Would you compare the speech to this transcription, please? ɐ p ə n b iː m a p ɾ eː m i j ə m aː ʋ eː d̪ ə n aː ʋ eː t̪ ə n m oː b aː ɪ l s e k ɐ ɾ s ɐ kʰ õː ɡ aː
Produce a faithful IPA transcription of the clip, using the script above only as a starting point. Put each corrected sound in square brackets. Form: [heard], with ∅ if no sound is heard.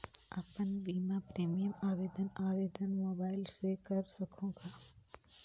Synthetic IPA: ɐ p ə n b iː m a p ɾ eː m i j ə m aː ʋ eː d̪ ə n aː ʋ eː [d̪] ə n m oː b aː ɪ l s e k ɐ ɾ s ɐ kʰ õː ɡ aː

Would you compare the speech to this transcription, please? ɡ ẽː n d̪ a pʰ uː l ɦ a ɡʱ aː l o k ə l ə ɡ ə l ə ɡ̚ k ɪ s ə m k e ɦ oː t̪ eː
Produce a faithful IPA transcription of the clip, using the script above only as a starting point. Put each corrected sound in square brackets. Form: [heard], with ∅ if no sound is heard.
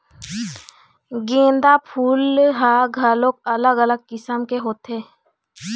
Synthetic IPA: ɡ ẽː n d̪ a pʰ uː l ɦ a ɡʱ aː l o k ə l ə ɡ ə l ə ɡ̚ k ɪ s ə m k e ɦ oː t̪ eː

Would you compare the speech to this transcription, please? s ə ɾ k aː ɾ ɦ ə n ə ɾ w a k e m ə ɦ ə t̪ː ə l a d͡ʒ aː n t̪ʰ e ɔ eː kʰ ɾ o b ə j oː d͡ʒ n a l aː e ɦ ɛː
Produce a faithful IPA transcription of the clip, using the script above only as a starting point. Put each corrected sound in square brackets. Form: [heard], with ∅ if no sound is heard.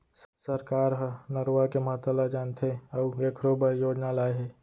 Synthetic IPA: s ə ɾ k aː ɾ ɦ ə n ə ɾ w a k e m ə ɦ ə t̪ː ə l a d͡ʒ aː n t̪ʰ e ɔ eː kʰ ɾ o b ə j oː d͡ʒ n a l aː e ɦ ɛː

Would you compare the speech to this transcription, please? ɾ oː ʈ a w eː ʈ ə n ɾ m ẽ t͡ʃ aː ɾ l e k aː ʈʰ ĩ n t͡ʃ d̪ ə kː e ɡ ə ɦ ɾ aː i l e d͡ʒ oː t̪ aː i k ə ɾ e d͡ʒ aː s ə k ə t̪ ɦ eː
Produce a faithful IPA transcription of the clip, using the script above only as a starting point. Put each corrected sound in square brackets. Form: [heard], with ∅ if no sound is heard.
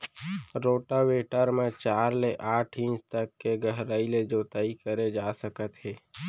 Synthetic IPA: ɾ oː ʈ a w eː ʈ ə [∅] ɾ m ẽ t͡ʃ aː ɾ l e [ʔ] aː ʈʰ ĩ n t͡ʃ [t̪] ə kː e ɡ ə ɦ ɾ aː i l e d͡ʒ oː t̪ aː i k ə ɾ e d͡ʒ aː s ə k ə t̪ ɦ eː

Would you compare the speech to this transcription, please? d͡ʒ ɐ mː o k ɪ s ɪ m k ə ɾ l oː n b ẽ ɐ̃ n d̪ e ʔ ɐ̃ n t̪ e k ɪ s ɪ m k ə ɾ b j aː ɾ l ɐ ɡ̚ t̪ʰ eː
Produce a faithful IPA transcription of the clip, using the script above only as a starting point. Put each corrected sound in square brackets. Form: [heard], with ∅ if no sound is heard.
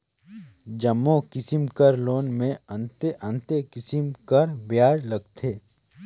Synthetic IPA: d͡ʒ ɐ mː o k ɪ s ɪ m k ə ɾ l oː n [m] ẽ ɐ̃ n [t̪] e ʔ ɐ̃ n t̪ e k ɪ s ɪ m k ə ɾ b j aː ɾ l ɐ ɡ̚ t̪ʰ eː

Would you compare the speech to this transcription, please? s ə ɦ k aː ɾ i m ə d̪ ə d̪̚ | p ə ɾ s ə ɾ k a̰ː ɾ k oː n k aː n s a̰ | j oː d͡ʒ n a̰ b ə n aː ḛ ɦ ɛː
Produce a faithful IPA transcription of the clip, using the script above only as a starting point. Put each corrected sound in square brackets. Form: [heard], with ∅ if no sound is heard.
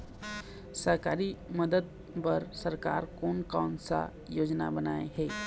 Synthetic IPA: s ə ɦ k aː ɾ i m ə d̪ ə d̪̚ | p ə ɾ s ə ɾ k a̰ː ɾ k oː n k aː n s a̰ | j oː d͡ʒ n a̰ b ə n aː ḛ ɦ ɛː

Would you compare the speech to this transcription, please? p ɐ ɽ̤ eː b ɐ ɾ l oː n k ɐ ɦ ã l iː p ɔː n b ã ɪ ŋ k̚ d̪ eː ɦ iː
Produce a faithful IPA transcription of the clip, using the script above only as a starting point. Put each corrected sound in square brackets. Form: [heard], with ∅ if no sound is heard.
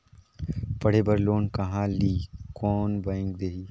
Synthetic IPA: p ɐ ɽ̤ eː b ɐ ɾ l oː n k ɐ ɦ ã l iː [k] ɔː n b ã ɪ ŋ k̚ d̪ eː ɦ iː

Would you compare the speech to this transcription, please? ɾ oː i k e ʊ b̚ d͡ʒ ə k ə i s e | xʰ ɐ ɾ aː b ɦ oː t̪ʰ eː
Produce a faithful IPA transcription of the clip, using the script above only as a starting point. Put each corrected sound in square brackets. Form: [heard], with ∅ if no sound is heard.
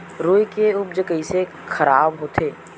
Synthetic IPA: ɾ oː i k e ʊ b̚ d͡ʒ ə k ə i s e | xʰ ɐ ɾ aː b ɦ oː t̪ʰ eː

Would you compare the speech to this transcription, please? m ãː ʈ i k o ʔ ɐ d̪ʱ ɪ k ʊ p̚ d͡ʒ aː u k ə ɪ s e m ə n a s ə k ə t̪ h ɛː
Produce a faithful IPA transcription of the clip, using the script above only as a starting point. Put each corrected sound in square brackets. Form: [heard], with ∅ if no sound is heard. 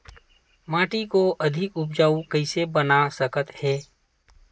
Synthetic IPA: m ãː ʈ i k o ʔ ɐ d̪ʱ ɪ k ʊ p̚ d͡ʒ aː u k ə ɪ s e [b] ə n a s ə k ə t̪ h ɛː

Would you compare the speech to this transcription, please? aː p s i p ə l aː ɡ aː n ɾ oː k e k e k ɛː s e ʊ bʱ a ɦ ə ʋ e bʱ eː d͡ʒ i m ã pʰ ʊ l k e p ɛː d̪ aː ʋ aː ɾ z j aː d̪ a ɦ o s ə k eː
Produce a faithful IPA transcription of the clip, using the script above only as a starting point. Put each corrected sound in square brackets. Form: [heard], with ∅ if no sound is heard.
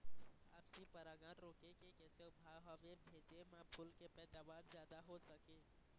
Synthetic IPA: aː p s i p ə [ɾ] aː ɡ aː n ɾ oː k e k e k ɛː s e ʊ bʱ a ɦ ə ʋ e bʱ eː d͡ʒ [e] m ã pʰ ʊ l k e p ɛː d̪ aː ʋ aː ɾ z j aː d̪ a ɦ o s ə k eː

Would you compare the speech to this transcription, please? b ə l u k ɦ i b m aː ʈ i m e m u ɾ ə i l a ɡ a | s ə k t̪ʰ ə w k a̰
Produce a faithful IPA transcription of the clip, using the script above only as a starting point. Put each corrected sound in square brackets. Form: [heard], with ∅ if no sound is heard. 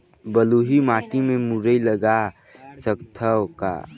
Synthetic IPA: b ə l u [∅] ɦ i [∅] m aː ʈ i m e m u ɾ ə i l [ə] ɡ a | s ə k t̪ʰ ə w k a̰

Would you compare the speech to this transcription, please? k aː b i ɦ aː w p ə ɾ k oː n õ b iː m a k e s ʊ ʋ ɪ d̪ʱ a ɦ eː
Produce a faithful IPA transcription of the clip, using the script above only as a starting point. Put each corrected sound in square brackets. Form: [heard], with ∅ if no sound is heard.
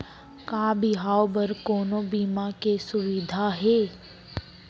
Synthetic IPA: k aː b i ɦ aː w [b] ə ɾ k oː n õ b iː m a k e s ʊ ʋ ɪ d̪ʱ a ɦ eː

